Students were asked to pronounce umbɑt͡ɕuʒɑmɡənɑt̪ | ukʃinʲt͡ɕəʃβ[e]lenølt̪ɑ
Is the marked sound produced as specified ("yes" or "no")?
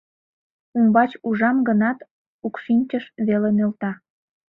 yes